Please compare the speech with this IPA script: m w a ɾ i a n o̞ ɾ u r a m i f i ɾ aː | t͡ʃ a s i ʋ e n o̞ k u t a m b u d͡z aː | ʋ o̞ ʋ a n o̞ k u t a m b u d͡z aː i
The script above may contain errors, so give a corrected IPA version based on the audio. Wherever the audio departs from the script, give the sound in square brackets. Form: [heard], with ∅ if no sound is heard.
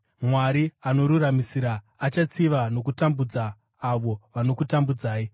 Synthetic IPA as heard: m w a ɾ i a n o̞ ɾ u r a m i [s] i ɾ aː | t͡ʃ a [t͡s] i ʋ [a] n o̞ k u t a m b u d͡z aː | ʋ o̞ ʋ a n o̞ k u t a m b u d͡z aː i